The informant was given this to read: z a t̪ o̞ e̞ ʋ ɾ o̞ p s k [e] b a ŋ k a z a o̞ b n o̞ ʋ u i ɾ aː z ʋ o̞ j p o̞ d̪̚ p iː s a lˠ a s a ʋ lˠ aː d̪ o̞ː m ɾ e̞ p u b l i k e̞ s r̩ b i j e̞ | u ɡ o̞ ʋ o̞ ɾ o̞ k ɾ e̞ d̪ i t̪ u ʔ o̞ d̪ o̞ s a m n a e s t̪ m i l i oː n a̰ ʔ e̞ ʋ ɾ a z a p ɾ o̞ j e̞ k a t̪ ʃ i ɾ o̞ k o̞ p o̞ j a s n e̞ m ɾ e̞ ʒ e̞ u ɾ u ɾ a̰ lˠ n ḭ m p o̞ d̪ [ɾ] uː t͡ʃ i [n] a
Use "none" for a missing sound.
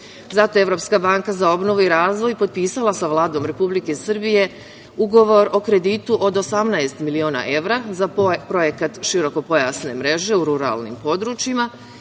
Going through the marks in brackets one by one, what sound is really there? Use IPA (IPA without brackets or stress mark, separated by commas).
a, ɾ, m